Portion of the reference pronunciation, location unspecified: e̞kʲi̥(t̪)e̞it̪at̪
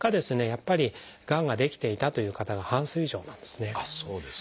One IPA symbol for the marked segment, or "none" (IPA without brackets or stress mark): t̪